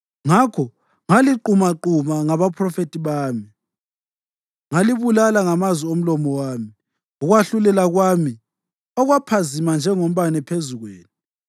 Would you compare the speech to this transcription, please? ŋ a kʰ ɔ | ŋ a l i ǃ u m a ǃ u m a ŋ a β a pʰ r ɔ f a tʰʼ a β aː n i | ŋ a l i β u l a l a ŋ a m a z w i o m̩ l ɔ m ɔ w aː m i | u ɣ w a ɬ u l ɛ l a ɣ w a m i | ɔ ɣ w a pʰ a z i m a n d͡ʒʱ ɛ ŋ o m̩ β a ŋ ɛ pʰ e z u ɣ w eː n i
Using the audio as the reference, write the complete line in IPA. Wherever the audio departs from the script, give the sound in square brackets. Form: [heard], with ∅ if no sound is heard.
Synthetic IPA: ŋ a kʰ ɔ | ŋ a l i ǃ u m a ǃ u m a ŋ a β a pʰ r ɔ f [e] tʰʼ [i] β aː [m] i | ŋ a l i β u l a l a ŋ a m a z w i o m̩ l ɔ m ɔ w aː m i | u ɣ w a ɬ u l ɛ l a ɣ w a m i | ɔ ɣ w a pʰ a z i m a n d͡ʒʱ ɛ ŋ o m̩ β a [n] ɛ pʰ e z u ɣ w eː n i